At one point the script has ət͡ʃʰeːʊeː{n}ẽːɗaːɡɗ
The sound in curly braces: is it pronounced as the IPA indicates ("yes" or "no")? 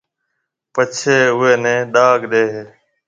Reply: yes